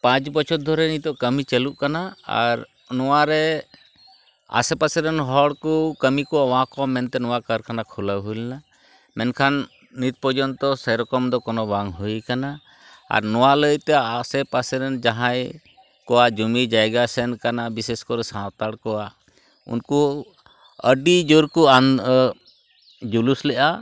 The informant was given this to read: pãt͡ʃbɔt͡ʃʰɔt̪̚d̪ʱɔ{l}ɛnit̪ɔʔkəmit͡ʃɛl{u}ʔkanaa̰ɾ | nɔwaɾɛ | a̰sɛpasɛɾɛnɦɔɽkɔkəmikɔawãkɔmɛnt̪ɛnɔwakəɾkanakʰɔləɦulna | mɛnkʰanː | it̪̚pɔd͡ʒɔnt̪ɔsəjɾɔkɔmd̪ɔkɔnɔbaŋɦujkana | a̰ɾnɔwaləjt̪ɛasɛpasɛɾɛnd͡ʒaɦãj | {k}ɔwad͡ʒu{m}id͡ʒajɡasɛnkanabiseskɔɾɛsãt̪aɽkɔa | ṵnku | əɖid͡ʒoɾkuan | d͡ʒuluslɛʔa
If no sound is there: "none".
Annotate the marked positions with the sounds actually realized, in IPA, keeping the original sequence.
ɾ, u, k, m

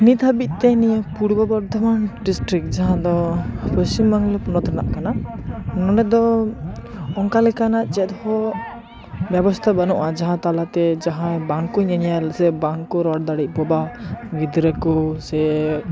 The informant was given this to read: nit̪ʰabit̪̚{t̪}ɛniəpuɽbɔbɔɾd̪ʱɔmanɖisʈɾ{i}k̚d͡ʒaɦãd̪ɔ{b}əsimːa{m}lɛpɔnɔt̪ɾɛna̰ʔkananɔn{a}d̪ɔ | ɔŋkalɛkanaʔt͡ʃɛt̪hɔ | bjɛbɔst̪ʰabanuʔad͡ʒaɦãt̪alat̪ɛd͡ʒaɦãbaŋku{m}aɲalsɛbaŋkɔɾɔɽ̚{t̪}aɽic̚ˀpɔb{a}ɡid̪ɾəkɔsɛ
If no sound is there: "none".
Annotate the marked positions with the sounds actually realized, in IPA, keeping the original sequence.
t̪, i, p, ŋ, ɛ, ɲ, d̪, a

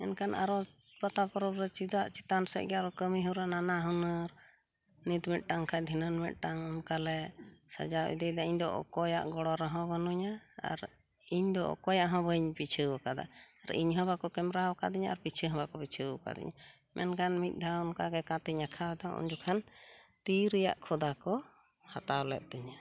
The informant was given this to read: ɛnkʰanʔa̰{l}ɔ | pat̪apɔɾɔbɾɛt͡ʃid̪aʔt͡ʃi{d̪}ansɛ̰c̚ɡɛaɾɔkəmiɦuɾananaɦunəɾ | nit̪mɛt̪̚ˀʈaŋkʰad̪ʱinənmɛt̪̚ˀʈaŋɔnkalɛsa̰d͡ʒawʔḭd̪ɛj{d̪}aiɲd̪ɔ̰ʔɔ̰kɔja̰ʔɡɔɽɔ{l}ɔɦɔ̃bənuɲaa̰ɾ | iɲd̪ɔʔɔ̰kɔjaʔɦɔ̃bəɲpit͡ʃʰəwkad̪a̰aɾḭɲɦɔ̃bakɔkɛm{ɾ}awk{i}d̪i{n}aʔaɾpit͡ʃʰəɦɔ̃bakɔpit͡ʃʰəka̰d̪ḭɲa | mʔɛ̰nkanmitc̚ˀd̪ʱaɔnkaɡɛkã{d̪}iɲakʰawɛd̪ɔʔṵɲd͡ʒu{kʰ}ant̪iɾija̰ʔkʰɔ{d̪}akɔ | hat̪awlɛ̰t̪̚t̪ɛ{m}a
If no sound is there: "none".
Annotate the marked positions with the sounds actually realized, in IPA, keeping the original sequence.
ɾ, t̪, d̪, ɾ, ɾ, a, ɲ, t̪, kʰ, d̪, ɲ

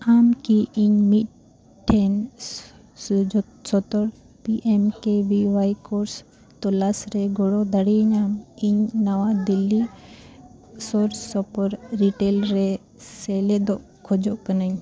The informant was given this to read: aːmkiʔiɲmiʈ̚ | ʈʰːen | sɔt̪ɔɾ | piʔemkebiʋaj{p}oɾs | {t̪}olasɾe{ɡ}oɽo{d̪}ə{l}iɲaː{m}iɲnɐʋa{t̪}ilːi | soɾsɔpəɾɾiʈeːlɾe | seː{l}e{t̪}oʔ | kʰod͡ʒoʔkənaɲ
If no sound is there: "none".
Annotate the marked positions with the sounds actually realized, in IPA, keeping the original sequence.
k, t̪, ɡ, d̪, ɽ, m, d̪, l, d̪

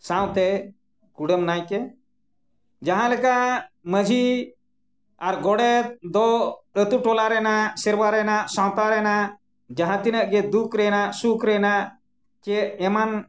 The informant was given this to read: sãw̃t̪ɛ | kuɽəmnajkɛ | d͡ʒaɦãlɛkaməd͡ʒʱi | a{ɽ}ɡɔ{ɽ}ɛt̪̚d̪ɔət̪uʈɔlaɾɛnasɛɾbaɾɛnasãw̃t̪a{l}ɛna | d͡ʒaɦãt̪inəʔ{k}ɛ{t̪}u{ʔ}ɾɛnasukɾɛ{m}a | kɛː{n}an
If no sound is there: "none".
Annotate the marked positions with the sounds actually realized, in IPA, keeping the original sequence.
ɾ, ɽ, ɾ, ɡ, d̪, k, n, m

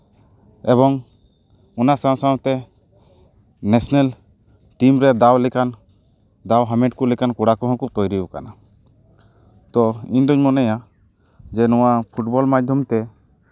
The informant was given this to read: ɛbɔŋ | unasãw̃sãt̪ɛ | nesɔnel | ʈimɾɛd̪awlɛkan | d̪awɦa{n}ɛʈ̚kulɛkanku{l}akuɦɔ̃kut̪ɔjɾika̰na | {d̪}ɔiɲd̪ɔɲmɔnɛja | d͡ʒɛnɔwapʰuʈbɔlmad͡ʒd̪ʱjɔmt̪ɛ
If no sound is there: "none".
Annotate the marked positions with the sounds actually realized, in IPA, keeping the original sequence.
m, ɽ, t̪

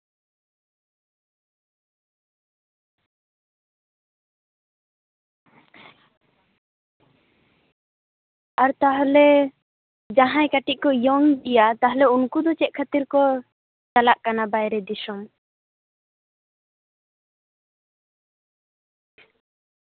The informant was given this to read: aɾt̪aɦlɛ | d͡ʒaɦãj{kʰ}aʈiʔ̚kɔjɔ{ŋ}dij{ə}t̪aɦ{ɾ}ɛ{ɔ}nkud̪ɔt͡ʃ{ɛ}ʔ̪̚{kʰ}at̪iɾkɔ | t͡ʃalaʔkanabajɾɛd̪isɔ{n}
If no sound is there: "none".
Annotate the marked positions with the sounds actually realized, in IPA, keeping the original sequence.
k, ŋ, a, l, u, ɛ, kʰ, m

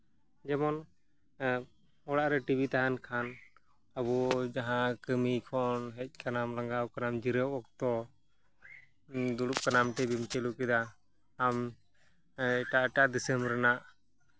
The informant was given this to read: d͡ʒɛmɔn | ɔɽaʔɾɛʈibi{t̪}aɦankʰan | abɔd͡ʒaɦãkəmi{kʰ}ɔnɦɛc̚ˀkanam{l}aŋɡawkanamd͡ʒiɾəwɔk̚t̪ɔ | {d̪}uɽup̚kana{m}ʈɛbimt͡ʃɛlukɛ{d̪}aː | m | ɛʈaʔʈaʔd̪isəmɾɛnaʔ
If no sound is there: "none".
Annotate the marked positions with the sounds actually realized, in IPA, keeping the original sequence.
t̪, kʰ, l, d̪, m, d̪

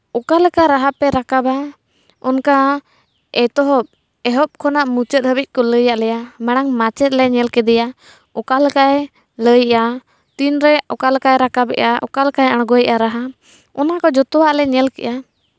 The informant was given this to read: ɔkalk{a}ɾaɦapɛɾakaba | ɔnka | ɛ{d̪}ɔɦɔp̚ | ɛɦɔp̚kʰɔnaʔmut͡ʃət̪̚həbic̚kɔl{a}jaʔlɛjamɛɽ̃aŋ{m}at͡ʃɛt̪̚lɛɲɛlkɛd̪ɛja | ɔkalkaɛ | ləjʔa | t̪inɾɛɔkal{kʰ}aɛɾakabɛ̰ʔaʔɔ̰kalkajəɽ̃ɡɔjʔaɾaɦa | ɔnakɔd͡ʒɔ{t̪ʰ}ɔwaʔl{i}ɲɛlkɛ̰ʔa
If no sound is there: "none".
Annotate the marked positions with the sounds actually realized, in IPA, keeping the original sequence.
a, t̪, ə, m, k, t̪, ɛ

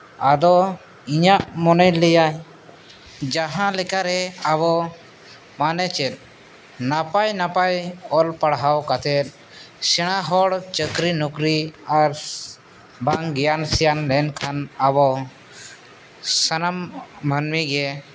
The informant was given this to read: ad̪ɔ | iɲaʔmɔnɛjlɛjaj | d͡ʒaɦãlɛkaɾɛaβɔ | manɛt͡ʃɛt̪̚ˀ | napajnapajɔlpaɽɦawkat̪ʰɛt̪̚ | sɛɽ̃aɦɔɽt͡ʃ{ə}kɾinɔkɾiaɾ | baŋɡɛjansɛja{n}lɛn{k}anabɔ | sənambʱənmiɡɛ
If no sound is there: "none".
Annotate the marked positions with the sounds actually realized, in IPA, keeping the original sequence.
ə, n, kʰ

